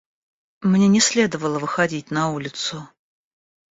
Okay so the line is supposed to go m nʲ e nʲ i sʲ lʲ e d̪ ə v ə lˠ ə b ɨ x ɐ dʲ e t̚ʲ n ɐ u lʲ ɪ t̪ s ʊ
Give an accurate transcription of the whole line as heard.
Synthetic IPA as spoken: m nʲ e nʲ ɪ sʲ lʲ e d̪ ə v ə lˠ ə v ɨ x ɐ dʲ i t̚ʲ n ɐ u lʲ ɪ t̪ s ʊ